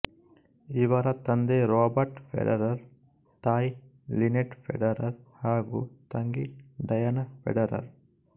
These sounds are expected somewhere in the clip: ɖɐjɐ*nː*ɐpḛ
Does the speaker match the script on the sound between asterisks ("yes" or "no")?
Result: no